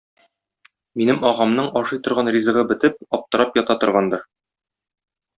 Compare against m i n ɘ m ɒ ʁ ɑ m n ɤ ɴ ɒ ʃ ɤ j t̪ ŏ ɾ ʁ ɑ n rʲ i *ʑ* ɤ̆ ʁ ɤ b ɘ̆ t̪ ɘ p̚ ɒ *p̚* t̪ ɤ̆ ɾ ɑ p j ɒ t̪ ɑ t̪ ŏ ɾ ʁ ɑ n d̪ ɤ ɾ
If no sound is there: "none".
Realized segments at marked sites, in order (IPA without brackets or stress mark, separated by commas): z, p̚